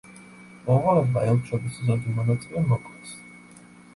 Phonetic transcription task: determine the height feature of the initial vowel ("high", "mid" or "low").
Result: mid